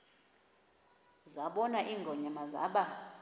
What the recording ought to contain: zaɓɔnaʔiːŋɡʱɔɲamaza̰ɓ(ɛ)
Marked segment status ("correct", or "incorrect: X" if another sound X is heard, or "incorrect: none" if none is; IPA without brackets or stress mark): incorrect: a